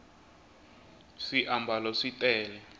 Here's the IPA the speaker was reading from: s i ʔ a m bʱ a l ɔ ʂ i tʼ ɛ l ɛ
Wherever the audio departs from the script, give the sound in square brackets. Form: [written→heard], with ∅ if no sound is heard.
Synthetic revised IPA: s i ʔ a m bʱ a l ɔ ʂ i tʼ [ɛ→ɛː] l ɛ